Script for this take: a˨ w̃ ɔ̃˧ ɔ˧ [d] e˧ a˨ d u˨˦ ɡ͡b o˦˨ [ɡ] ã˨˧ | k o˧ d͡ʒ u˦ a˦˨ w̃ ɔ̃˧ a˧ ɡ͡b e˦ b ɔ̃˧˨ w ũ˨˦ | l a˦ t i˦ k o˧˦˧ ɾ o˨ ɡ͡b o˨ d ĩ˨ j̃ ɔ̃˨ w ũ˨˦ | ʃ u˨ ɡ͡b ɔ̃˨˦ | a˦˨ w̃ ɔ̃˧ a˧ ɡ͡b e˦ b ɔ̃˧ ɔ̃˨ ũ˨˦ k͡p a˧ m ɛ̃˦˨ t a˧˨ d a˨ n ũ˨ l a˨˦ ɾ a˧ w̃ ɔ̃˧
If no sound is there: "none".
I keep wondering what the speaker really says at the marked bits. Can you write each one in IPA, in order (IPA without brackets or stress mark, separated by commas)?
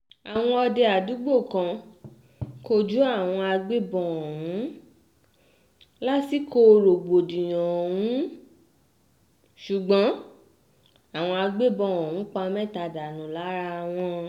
d, k